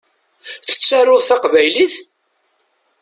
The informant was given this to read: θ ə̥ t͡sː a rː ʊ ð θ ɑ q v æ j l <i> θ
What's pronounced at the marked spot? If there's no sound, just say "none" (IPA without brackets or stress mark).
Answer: i